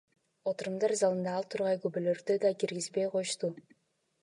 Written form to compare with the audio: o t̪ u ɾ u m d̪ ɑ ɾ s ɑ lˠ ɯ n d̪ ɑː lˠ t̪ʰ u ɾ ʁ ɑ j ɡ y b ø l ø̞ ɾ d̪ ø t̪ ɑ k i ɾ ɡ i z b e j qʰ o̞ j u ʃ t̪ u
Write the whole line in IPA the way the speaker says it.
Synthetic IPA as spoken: o t̪ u ɾ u m d̪ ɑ ɾ z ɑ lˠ ɯ n d̪ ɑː lˠ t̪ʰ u ɾ ʁ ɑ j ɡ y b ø l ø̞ ɾ d̪ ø d̪ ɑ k i ɾ ɡ i z b e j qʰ o̞ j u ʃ t̪ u

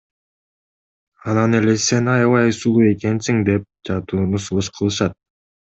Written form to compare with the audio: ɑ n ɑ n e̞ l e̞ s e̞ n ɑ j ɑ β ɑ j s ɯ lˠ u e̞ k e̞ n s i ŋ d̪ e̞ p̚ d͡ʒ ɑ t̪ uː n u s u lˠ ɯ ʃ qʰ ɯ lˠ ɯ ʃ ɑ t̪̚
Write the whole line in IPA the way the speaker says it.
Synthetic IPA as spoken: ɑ n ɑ n e̞ l e̞ s e̞ n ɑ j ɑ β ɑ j s u lˠ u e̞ k e̞ n s i ŋ d̪ e̞ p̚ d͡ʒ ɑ t̪ uː n u s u lˠ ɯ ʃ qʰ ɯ lˠ ɯ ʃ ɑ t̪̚

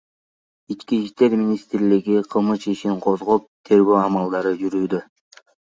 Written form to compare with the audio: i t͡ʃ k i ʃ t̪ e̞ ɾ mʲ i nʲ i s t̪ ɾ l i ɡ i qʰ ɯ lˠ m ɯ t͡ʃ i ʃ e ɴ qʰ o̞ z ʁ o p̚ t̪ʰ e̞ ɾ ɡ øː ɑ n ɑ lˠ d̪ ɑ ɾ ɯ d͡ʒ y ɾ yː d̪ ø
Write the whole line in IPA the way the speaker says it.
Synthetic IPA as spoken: i t͡ʃ k i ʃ t̪ e̞ ɾ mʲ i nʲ i s t̪ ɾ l i ɡ i qʰ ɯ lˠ m ɯ t͡ʃ i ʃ i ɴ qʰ o̞ z ʁ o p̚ t̪ʰ e̞ ɾ ɡ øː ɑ m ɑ lˠ d̪ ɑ ɾ ɯ d͡ʒ y ɾ yː d̪ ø

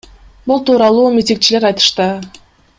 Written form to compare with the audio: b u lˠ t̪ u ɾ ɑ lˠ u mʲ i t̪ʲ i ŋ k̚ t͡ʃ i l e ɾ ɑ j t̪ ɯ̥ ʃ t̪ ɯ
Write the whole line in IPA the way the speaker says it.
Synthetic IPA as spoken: b u lˠ t̪ uː ɾ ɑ lˠ uː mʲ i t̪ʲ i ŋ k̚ t͡ʃ i l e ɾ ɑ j t̪ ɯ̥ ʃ t̪ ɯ

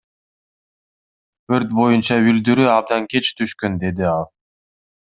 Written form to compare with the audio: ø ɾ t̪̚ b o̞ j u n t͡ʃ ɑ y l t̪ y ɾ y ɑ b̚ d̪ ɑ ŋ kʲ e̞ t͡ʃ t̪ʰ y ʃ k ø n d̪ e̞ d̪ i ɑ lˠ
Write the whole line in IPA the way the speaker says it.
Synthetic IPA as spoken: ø ɾ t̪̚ b o̞ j u n t͡ʃ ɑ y l d̪ y ɾ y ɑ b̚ d̪ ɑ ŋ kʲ e̞ t͡ʃ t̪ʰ y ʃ k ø n d̪ e̞ d̪ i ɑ lˠ

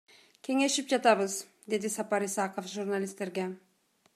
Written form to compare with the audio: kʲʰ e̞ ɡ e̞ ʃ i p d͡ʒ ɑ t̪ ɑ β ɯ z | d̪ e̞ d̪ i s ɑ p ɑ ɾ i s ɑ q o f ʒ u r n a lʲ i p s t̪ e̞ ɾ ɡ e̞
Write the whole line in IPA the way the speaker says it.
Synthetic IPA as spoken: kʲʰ e̞ ŋ e̞ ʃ i p d͡ʒ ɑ t̪ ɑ β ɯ z | d̪ e̞ d̪ i s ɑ p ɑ ɾ i s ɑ q o f ʒ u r n a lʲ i s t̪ e̞ ɾ ɡ e̞

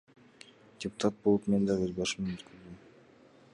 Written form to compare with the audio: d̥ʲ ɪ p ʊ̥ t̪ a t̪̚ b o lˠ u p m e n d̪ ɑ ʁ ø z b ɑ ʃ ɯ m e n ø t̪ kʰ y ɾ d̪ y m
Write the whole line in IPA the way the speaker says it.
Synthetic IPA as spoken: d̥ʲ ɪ p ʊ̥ t̪ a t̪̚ b o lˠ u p m e n d̪ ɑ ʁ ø z b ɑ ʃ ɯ m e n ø t̪ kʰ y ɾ d̪ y m

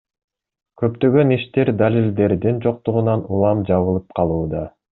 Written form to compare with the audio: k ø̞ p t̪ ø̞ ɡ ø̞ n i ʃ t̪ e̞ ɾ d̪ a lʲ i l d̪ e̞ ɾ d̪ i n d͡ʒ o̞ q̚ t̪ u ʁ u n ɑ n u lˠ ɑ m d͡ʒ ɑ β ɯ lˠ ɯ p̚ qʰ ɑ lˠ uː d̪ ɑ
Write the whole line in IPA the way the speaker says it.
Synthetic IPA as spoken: k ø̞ p t̪ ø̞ ɡ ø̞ n i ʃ t̪ e̞ ɾ d̪ a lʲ i l d̪ e̞ ɾ d̪ i n d͡ʒ o̞ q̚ t̪ u ʁ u n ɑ n u lˠ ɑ m d͡ʒ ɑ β ɯ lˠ ɯ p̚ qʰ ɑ lˠ uː d̪ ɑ

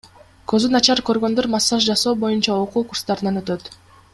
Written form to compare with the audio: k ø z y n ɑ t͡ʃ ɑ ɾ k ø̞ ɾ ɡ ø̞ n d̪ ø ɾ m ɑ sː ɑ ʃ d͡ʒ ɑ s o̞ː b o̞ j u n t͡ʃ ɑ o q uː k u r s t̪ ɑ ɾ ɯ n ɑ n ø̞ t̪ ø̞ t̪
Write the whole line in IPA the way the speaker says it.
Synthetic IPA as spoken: k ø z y n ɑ t͡ʃ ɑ ɾ k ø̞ ɾ ɡ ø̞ n d̪ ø ɾ m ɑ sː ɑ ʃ d͡ʒ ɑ s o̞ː b o̞ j u n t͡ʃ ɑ o q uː k u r s t̪ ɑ ɾ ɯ n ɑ n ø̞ t̪ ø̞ t̪

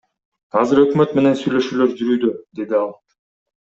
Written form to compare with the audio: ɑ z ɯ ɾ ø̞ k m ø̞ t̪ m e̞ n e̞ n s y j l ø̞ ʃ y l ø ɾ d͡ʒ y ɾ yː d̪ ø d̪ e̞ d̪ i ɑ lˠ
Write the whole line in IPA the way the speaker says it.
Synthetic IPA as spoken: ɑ z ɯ ɾ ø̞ k m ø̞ t̪ m e̞ n e̞ n s y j l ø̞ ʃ yː l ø ɾ d͡ʒ y ɾ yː d̪ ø d̪ e̞ d̪ i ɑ lˠ

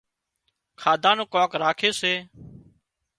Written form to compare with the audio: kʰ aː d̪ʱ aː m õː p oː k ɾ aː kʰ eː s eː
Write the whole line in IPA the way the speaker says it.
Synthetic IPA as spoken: kʰ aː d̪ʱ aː n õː k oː k ɾ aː kʰ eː s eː

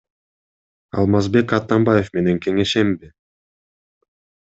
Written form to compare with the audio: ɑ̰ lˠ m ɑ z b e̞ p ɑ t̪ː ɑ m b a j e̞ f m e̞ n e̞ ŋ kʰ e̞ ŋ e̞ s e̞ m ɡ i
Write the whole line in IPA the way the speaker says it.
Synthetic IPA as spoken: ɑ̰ lˠ m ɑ z b e̞ k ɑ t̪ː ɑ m b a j e̞ f m e̞ n e̞ ŋ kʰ e̞ ŋ e̞ ʃ e̞ m b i

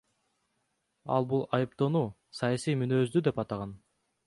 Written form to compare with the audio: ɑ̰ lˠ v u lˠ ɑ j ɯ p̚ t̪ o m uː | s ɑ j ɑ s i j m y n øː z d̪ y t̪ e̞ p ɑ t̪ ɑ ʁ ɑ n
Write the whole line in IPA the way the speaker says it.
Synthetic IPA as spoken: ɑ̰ lˠ b u lˠ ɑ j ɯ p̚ t̪ o n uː | s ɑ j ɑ s i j m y n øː z d̪ y d̪ e̞ p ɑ t̪ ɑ ʁ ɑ n

